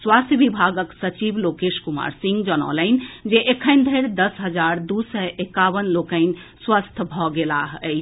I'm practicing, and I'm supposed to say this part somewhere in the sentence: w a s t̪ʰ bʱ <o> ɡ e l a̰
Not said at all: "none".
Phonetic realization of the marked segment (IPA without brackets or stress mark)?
ɔ